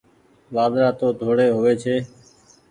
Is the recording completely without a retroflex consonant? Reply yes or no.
no